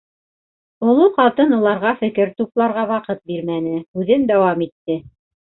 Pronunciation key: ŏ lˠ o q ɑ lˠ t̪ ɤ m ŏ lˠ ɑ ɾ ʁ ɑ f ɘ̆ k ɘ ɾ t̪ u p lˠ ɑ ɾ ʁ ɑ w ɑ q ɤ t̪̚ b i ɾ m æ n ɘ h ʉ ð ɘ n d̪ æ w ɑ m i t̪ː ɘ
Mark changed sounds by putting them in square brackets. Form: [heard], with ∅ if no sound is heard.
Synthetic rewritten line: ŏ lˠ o q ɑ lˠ t̪ ɤ [n] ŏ lˠ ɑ ɾ ʁ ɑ f ɘ̆ k ɘ ɾ t̪ u p lˠ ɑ ɾ ʁ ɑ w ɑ q ɤ t̪̚ b i ɾ m æ n ɘ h ʉ ð ɘ n d̪ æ w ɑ m i t̪ː ɘ